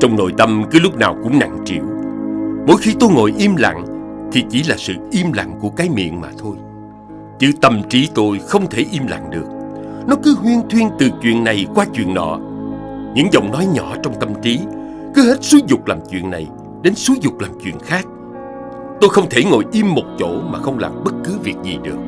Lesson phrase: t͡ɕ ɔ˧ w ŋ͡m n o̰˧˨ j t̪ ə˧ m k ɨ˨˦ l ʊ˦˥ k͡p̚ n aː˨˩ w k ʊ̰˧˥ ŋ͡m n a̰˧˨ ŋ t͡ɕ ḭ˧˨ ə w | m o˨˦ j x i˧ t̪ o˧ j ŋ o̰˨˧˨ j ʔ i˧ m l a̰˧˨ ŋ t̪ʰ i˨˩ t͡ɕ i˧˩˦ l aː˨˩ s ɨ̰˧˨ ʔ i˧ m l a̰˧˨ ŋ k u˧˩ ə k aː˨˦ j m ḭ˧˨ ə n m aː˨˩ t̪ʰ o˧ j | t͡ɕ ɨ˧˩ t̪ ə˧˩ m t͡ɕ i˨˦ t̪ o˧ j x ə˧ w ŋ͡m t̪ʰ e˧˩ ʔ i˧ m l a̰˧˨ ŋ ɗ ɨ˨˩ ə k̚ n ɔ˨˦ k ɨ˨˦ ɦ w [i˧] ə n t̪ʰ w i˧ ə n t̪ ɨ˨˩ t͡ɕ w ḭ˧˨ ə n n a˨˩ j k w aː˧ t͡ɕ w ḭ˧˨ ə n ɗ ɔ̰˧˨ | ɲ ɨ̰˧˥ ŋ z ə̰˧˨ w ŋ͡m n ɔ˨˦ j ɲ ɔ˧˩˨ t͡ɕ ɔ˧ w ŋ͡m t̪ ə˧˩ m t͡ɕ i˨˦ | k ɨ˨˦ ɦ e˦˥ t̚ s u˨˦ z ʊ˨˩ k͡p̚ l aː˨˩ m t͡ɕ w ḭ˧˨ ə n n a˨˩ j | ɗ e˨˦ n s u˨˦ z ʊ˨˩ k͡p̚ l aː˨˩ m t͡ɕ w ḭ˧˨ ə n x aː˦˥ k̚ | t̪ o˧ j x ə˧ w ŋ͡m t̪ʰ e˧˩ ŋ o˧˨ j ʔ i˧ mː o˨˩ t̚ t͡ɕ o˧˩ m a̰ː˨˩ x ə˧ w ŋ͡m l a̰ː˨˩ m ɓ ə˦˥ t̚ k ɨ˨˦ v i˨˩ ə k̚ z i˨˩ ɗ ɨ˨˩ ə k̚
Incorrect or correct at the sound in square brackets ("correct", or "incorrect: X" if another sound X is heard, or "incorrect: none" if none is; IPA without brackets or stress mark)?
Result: correct